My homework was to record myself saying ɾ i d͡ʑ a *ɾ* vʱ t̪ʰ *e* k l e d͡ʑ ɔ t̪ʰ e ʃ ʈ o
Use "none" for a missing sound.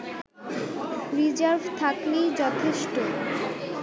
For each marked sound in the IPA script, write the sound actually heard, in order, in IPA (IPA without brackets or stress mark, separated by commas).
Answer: ɾ, a